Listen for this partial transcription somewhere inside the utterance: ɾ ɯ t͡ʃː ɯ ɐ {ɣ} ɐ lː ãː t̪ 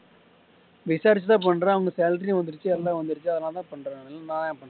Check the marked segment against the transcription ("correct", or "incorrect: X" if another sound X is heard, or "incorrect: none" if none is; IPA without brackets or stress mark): incorrect: ð